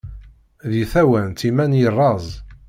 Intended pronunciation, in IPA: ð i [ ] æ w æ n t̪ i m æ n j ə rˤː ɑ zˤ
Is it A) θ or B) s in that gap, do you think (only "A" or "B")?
A